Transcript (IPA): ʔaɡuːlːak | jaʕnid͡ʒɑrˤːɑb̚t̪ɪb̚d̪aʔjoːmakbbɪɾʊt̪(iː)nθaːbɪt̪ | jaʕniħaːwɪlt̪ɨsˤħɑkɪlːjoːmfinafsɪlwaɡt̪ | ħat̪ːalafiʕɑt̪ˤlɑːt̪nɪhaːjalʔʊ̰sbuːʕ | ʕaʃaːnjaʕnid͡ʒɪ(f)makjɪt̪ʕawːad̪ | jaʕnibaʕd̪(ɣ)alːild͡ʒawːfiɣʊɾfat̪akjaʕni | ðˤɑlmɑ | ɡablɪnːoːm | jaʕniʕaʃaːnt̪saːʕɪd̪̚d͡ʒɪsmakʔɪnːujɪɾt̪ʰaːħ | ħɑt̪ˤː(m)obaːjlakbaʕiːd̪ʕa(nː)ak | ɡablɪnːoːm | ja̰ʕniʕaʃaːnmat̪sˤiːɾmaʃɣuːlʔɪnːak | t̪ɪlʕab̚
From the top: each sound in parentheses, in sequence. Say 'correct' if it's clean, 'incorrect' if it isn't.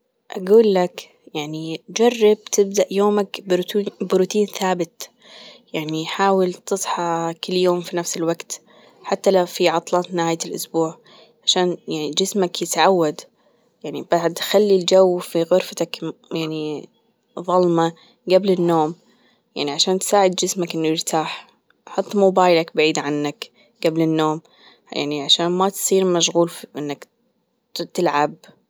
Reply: correct, incorrect, incorrect, correct, correct

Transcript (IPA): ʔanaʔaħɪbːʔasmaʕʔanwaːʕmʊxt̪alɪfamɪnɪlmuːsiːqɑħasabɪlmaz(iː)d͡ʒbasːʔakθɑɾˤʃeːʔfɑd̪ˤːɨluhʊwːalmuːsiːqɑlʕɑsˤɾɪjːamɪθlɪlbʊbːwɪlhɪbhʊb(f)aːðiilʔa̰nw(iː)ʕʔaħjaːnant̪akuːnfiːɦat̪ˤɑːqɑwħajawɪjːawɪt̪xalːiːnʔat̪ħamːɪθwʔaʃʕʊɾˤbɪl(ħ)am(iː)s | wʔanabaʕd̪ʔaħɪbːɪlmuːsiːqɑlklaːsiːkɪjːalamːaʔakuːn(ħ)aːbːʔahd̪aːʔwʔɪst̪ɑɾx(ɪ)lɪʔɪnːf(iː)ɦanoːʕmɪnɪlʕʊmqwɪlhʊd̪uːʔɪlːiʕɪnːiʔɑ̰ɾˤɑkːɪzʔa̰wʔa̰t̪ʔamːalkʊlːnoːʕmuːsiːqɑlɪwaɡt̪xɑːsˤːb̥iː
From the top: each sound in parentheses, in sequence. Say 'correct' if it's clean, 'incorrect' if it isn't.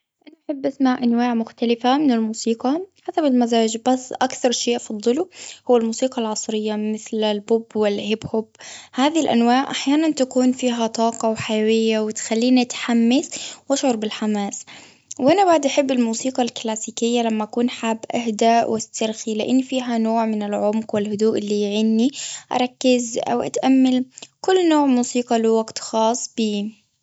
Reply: incorrect, incorrect, incorrect, correct, incorrect, correct, incorrect, correct

